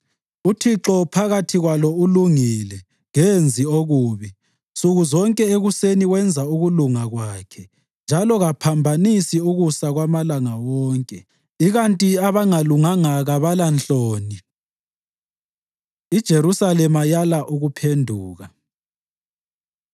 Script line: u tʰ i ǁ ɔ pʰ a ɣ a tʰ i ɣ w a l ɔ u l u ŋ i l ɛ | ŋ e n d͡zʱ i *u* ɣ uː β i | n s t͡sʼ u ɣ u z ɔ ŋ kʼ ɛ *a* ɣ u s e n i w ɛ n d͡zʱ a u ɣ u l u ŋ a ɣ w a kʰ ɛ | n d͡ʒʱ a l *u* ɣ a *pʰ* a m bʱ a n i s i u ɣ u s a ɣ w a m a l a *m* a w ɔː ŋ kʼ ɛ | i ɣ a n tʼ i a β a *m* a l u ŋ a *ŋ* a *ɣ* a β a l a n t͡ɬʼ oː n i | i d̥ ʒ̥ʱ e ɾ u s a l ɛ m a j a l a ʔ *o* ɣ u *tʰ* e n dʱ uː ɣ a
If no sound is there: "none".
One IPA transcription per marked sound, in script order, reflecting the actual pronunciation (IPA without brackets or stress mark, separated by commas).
o, e, ɔ, pʰ, ŋ, ŋ, ŋ, ɣ, u, pʰ